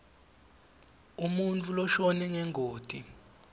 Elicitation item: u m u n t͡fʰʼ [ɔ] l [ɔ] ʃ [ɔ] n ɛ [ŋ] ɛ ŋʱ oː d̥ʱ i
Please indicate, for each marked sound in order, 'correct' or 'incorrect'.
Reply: incorrect: u, correct, correct, correct

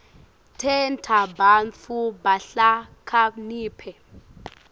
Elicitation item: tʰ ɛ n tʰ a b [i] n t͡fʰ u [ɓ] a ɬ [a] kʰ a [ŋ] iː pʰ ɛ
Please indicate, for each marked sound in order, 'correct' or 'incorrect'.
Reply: incorrect: a, incorrect: b, correct, incorrect: n

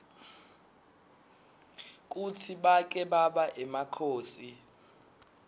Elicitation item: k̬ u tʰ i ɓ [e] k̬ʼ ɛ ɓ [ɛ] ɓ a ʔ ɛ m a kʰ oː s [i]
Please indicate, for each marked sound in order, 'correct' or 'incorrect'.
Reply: incorrect: a, incorrect: a, correct

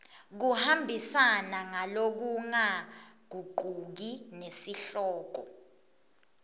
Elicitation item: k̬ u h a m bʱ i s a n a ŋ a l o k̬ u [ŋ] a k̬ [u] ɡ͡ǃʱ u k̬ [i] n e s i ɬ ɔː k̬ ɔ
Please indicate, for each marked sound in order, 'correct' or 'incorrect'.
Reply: correct, correct, correct

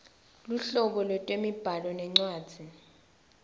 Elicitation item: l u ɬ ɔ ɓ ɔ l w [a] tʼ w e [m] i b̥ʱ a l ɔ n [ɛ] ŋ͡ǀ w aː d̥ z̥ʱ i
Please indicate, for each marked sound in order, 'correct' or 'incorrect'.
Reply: incorrect: ɛ, correct, correct

